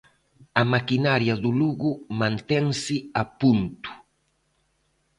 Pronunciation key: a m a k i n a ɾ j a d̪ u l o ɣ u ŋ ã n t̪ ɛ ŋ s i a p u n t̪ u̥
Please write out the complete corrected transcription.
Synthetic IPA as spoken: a m a k i n a ɾ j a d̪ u l u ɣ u m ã n t̪ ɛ ŋ s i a p u n t̪ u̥